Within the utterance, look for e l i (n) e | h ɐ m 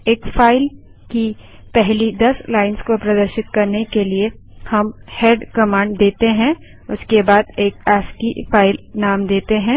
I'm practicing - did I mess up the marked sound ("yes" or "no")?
yes